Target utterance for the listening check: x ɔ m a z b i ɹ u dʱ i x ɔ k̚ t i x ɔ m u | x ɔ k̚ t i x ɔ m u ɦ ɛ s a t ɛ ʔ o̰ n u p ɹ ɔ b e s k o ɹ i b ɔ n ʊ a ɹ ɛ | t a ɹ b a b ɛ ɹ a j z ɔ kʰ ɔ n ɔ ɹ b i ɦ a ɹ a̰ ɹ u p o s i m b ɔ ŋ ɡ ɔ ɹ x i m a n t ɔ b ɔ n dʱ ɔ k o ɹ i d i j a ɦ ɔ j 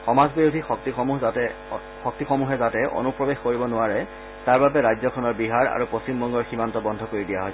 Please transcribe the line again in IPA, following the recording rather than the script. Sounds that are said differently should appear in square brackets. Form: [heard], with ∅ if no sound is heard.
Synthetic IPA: x ɔ m a z b i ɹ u dʱ i x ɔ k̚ t i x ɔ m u | x ɔ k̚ t i x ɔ m u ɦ ɛ [z] a t ɛ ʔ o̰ n u p ɹ ɔ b e [x] k o ɹ i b ɔ n ʊ a ɹ ɛ | t a ɹ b a b ɛ ɹ a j z ɔ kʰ ɔ n ɔ ɹ b i ɦ a ɹ a̰ ɹ u p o s i m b ɔ ŋ ɡ ɔ ɹ x i m a n t ɔ b ɔ n dʱ ɔ k o ɹ i d i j a ɦ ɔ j